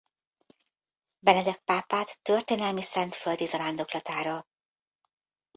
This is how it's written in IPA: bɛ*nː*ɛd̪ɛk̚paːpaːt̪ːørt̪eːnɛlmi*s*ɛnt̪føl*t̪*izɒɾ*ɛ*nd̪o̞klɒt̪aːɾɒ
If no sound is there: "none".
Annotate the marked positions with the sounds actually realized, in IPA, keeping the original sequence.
n, s, d̪, a

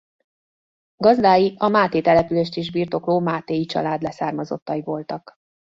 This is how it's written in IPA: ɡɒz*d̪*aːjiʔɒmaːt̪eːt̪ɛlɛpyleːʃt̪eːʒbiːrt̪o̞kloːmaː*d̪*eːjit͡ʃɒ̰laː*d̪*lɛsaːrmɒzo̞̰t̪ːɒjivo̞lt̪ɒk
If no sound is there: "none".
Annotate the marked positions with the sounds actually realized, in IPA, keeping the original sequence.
d̪, t̪, d̪

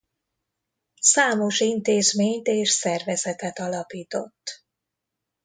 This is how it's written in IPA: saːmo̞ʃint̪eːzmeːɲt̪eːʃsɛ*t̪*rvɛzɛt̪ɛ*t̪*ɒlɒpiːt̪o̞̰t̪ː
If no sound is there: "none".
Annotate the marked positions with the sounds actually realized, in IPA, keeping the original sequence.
none, t̪

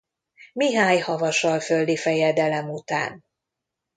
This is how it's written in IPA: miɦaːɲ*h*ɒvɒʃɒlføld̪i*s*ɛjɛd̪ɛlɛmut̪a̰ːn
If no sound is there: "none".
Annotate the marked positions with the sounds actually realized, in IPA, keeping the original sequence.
h, f

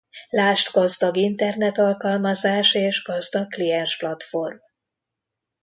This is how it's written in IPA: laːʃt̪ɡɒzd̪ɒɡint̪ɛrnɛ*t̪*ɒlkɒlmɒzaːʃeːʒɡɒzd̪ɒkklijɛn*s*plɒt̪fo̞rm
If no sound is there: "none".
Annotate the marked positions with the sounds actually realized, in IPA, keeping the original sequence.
t̪, ʃ

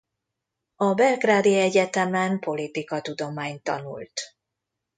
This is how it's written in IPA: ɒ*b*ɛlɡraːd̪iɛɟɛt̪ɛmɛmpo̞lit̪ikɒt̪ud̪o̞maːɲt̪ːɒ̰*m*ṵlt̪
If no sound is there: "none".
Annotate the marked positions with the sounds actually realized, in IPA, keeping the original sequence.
b, n

